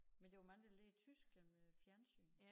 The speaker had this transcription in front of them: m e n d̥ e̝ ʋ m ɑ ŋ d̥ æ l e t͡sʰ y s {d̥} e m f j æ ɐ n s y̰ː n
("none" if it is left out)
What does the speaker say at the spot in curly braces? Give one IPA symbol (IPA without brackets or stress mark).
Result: ɡ̥